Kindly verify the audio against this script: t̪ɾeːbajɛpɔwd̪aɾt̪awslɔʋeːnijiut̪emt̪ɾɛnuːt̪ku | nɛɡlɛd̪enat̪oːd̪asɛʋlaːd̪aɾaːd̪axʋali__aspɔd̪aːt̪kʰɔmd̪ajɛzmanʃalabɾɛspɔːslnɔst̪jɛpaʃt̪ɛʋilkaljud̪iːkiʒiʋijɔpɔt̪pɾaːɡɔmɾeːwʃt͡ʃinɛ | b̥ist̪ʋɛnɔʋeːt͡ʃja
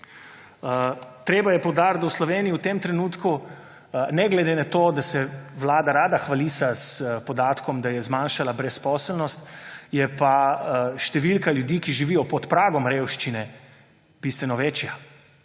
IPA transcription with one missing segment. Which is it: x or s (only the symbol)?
s